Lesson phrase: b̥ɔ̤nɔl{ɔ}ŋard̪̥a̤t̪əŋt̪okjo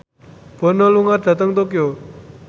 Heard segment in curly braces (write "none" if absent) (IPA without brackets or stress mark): u